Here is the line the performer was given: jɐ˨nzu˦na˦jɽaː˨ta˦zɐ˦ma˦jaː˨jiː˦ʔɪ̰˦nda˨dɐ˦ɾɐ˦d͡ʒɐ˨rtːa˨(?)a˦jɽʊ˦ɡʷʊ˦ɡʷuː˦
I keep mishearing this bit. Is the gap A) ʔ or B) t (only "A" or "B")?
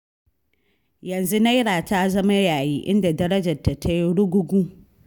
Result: B